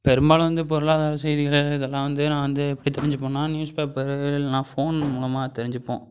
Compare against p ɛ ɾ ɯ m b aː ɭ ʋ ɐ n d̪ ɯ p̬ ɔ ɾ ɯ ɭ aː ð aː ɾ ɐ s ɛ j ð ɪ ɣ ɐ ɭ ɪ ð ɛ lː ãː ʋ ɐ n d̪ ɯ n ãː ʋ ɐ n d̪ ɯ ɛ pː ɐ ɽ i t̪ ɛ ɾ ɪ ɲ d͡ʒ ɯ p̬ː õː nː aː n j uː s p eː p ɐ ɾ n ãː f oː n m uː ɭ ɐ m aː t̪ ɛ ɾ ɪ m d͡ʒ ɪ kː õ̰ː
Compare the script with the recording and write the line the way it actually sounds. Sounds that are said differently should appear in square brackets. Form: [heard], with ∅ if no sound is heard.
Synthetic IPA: p ɛ ɾ ɯ m b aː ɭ ʋ ɐ n d̪ ɯ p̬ ɔ ɾ ɯ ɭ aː ð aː ɾ ɐ s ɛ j ð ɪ ɣ ɐ ɭ ɪ ð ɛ lː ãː ʋ ɐ n d̪ ɯ n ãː ʋ ɐ n d̪ ɯ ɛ pː ɐ ɽ i t̪ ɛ ɾ ɪ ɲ d͡ʒ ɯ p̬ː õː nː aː n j uː s p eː p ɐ ɾ n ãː f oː n m uː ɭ ɐ m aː t̪ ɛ ɾ ɪ [ɲ] d͡ʒ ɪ [pː] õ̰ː